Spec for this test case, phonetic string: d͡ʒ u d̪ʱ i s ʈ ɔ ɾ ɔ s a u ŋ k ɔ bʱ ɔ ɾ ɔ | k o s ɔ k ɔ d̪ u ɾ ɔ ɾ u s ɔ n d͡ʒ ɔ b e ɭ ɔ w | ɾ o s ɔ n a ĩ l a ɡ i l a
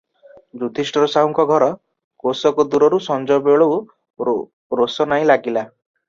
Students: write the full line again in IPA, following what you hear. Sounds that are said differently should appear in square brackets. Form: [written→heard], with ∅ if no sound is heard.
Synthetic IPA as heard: d͡ʒ u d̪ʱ i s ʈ ɔ ɾ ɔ s a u ŋ k ɔ [bʱ→ɡʱ] ɔ ɾ ɔ | k o s ɔ k ɔ d̪ u ɾ ɔ ɾ u s ɔ n d͡ʒ ɔ b e ɭ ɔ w | ɾ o s ɔ n a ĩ l a ɡ i l a